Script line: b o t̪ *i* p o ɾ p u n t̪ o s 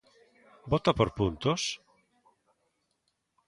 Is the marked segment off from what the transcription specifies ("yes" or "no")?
yes